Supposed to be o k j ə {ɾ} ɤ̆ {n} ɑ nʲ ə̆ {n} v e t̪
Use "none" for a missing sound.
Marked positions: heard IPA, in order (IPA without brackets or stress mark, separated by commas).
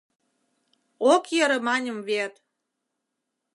ɾ, m, m